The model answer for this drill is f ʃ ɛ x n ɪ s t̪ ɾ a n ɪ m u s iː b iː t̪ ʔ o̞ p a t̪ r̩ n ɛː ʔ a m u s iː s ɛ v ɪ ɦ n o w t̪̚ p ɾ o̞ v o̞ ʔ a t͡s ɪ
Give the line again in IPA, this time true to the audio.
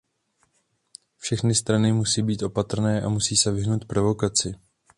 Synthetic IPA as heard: f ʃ ɛ x n ɪ s t̪ ɾ a n ɪ m u s iː b iː t̪ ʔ o̞ p a t̪ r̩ n ɛː ʔ a m u s iː s ɛ v ɪ ɦ n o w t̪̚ p ɾ o̞ v o̞ k a t͡s ɪ